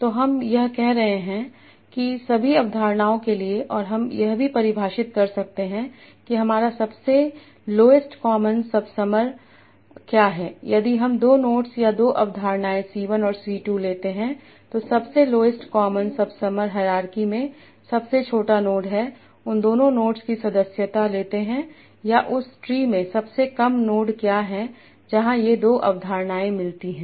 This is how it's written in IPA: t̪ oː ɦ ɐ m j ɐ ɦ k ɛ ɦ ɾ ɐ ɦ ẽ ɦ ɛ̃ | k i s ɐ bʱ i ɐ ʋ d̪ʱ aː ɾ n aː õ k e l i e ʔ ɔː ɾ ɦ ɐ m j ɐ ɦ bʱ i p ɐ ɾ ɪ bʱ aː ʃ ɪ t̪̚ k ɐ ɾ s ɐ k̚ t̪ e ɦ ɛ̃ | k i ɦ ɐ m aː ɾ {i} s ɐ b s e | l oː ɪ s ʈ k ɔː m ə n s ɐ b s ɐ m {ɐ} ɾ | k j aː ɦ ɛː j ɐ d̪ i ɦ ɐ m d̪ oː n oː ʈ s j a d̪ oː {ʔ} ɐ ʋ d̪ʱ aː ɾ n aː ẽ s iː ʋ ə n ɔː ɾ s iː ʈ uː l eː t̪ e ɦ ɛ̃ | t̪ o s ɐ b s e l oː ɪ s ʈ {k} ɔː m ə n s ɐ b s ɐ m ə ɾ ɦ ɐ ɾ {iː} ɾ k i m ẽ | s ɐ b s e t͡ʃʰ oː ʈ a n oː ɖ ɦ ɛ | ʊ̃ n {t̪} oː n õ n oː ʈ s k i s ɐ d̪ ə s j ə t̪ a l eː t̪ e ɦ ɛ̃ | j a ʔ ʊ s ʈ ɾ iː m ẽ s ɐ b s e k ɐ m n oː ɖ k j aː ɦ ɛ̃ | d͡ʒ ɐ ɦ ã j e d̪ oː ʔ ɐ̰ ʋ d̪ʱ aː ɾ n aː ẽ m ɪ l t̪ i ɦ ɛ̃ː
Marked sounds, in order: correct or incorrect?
incorrect: a, incorrect: ə, correct, correct, incorrect: aː, incorrect: d̪

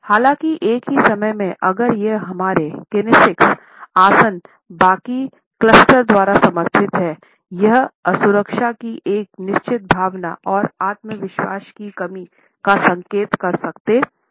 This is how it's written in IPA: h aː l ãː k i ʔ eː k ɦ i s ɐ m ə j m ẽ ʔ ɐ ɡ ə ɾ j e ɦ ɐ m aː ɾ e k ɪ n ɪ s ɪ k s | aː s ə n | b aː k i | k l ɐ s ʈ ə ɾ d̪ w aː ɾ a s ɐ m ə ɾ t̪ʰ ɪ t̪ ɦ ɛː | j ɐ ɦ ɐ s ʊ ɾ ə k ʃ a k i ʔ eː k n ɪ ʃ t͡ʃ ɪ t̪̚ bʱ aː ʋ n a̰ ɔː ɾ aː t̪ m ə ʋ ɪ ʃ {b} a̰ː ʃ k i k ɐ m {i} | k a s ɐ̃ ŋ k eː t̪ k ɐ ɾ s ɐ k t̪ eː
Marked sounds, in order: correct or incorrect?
incorrect: w, correct

